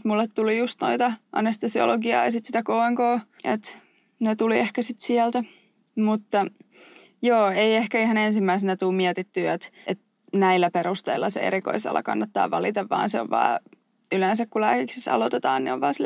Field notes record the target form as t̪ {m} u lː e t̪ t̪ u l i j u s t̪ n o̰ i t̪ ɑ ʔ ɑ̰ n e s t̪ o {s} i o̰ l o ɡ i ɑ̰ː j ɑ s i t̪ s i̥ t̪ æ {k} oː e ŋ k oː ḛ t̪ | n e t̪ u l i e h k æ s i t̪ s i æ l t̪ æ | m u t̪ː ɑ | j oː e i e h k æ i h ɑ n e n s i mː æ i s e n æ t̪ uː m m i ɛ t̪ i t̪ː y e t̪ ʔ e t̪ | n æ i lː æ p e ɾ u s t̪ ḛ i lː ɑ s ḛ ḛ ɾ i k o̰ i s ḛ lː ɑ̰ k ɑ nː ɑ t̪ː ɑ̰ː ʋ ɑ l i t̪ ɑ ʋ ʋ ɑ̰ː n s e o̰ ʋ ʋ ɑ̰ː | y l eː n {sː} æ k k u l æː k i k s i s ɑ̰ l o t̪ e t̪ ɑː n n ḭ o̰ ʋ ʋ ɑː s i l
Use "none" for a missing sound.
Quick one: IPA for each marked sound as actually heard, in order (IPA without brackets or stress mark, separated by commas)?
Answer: m, s, k, s